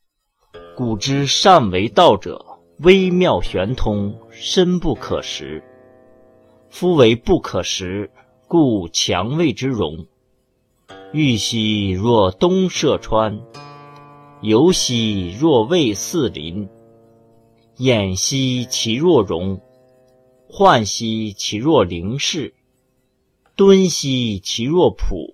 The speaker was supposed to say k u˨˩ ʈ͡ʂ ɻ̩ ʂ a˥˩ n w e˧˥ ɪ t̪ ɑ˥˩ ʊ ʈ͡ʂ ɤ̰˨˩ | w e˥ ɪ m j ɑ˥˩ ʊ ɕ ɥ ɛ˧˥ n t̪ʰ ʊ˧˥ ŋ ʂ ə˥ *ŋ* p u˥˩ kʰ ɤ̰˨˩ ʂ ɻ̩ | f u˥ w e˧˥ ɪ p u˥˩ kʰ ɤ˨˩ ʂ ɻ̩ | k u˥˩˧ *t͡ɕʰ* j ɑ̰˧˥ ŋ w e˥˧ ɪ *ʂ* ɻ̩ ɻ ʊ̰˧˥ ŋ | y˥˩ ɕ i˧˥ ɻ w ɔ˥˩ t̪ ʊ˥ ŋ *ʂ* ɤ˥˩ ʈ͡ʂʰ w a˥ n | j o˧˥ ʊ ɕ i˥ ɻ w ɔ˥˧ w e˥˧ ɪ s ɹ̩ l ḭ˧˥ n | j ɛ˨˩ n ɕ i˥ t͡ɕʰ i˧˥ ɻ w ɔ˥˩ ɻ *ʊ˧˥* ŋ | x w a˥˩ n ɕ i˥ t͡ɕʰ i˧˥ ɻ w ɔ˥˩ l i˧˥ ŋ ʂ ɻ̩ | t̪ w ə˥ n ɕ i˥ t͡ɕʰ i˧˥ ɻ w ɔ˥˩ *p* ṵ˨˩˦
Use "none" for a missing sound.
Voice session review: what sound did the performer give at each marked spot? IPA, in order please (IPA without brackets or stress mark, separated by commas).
n, t͡ɕʰ, ʈ͡ʂ, ʂ, ʊ˧˥, pʰ